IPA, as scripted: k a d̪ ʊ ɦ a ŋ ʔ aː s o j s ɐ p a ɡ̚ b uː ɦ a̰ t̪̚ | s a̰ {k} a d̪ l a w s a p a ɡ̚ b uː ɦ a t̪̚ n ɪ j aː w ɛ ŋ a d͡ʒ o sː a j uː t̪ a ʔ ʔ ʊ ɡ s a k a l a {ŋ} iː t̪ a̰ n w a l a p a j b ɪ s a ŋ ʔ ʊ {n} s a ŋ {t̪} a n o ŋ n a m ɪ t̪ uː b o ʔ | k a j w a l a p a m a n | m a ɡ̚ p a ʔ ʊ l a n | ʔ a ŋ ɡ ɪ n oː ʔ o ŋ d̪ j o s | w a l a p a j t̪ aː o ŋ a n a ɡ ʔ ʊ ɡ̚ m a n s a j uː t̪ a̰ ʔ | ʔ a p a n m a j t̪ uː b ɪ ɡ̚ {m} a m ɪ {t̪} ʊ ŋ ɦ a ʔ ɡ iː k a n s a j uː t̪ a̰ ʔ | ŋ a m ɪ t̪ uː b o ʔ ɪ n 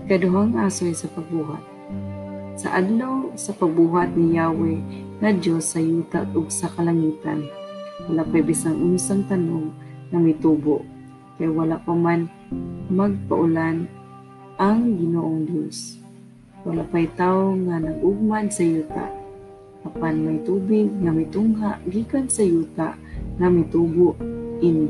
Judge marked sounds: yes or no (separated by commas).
no, yes, yes, yes, no, yes